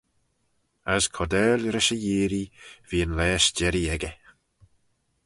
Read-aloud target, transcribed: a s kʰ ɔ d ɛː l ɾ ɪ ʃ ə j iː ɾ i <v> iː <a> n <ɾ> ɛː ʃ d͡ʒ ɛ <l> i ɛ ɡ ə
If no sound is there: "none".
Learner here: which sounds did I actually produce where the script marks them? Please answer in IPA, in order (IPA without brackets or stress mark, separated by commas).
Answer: v, ə, l, ɾ